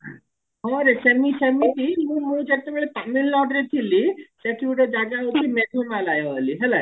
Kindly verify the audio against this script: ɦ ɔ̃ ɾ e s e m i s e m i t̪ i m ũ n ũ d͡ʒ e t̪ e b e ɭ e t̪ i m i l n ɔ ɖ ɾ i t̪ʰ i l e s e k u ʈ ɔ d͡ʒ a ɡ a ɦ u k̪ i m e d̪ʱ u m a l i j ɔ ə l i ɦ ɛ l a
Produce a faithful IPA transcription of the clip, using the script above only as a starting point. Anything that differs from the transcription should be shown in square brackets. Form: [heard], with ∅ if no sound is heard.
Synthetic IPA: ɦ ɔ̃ ɾ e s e m i s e m i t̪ i m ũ [m] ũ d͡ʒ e t̪ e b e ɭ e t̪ [a] m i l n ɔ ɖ ɾ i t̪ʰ i l [i] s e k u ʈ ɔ d͡ʒ a ɡ a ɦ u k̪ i m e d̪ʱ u m a l [a] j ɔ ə l i ɦ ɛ l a